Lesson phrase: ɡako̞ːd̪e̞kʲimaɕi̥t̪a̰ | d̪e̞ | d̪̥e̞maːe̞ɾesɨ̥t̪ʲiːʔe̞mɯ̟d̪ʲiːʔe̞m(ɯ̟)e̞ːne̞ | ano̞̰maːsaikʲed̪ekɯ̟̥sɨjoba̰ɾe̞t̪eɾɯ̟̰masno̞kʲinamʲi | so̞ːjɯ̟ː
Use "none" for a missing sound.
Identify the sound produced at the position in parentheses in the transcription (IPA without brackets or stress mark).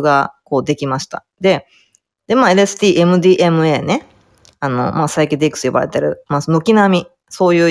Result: ɯ̟